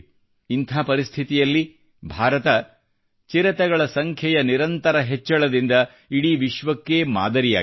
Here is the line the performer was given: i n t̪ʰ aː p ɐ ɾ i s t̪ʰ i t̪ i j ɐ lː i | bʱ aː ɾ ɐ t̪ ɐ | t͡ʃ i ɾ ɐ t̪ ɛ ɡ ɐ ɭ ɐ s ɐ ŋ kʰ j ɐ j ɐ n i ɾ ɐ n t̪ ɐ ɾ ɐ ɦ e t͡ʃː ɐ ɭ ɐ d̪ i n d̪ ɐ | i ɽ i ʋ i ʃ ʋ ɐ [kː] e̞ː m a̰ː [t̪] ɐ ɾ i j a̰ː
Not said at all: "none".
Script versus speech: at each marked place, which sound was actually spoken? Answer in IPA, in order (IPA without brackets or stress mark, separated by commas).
kː, d̪